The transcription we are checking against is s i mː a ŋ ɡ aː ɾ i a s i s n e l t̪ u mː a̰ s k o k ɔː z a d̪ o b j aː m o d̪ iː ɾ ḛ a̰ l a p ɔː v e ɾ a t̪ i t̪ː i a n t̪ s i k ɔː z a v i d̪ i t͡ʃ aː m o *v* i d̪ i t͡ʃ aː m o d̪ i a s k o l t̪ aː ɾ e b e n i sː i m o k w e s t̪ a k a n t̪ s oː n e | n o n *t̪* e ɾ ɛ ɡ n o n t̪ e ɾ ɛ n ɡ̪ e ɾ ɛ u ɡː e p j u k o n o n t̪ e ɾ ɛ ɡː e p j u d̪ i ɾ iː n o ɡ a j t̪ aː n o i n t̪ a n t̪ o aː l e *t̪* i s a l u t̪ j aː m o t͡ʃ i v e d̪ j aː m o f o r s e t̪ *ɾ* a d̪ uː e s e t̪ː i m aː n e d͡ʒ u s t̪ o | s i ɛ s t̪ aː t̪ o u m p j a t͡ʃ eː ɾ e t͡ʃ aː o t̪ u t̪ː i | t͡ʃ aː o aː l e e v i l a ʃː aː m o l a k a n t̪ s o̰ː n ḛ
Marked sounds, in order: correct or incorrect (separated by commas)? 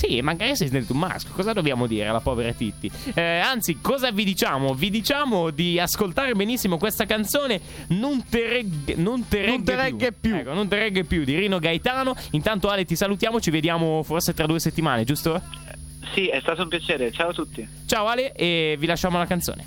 correct, correct, correct, correct